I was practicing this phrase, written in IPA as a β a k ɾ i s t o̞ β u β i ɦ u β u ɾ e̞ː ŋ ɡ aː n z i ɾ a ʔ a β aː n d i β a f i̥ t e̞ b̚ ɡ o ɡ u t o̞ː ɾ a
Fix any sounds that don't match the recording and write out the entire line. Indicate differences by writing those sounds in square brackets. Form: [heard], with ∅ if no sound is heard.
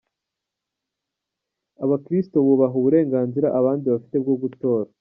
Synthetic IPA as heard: a β a k ɾ i s t o̞ β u β [a] ɦ u β u ɾ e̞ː ŋ ɡ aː n z i ɾ a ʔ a β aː n d i β a f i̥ t e̞ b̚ ɡ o ɡ u t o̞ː ɾ a